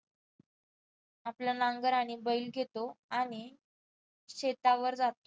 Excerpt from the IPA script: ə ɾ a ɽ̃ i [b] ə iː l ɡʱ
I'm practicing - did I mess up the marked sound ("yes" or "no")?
no